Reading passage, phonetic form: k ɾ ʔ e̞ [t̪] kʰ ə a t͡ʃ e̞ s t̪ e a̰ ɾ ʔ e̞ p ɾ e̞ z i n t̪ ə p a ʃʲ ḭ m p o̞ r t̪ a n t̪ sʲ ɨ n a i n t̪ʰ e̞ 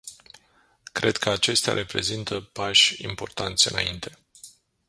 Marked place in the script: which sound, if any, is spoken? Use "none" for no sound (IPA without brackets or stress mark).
d̪